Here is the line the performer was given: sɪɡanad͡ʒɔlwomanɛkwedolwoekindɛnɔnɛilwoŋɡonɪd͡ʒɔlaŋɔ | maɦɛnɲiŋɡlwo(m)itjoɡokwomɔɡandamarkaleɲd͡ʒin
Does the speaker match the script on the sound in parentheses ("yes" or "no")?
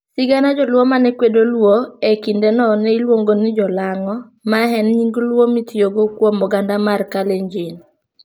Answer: yes